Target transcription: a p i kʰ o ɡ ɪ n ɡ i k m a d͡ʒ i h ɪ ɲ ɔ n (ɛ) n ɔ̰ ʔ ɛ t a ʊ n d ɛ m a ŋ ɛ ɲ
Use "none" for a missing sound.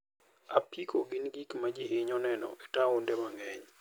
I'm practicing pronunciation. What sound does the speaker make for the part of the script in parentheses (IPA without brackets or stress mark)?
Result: ɛ